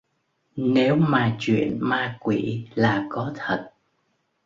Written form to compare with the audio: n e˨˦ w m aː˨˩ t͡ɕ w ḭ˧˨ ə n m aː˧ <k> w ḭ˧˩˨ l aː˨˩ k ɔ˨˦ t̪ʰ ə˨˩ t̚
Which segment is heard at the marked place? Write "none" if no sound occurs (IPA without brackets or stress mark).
k